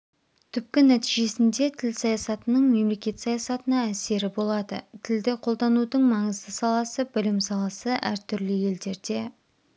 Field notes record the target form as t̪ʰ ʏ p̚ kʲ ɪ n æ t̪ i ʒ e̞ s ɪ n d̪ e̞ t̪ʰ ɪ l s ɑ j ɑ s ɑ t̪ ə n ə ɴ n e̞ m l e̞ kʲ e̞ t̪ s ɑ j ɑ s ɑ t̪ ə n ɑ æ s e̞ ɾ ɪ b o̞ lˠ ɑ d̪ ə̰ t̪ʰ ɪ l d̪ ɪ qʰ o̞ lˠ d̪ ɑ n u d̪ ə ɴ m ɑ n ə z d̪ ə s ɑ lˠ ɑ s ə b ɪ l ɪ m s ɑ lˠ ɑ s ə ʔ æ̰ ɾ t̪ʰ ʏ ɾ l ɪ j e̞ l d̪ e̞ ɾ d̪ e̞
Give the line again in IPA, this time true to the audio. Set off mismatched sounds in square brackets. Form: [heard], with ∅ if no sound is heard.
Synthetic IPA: t̪ʰ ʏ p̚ kʲ ɪ n æ t̪ i ʒ e̞ s ɪ n d̪ e̞ t̪ʰ ɪ l s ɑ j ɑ s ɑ t̪ ə n ə ɴ [m] e̞ m l e̞ kʲ e̞ t̪ s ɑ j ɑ s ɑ t̪ ə n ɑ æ s e̞ ɾ ɪ b o̞ lˠ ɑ d̪ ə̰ t̪ʰ ɪ l d̪ ɪ qʰ o̞ lˠ d̪ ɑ n u d̪ ə ɴ m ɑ [ɴ] ə z d̪ ə s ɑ lˠ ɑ s ə b ɪ l ɪ m s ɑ lˠ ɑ s ə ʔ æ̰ ɾ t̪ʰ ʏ ɾ l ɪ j e̞ l d̪ e̞ ɾ d̪ e̞